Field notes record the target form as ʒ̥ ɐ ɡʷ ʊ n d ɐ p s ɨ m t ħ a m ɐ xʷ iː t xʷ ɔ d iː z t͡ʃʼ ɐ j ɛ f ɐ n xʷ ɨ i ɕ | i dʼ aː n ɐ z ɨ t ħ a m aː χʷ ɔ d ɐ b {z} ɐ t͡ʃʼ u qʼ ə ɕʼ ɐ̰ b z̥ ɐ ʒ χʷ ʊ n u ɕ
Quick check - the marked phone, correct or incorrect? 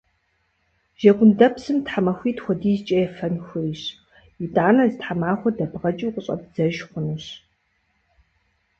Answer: incorrect